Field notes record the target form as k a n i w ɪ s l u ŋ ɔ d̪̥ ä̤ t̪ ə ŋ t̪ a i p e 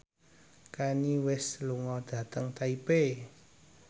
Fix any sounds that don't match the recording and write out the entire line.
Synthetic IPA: k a n i w ɪ s l u ŋ ɔ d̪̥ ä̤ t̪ ə ŋ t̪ a i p e